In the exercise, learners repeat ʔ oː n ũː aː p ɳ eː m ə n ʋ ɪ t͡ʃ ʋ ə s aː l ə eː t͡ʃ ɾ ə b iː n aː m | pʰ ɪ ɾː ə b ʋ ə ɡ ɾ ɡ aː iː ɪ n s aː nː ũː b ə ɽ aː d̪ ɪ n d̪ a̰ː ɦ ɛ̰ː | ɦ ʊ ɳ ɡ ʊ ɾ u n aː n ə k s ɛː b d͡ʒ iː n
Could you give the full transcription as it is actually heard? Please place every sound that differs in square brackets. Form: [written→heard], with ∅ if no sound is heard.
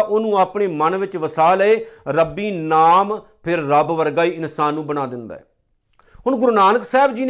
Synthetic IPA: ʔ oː n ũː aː p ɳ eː m ə n ʋ ɪ t͡ʃ ʋ ə s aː l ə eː [t͡ʃ→∅] ɾ ə b iː n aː m | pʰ ɪ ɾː ə b ʋ ə [ɡ→∅] ɾ ɡ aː iː ɪ n s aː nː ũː b ə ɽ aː d̪ ɪ n d̪ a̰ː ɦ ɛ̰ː | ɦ ʊ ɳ ɡ ʊ ɾ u n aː n ə k s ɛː b d͡ʒ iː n